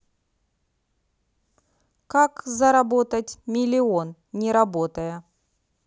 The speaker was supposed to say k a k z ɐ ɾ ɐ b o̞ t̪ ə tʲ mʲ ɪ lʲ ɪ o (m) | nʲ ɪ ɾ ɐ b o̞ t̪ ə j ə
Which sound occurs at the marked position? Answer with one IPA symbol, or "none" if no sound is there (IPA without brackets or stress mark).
n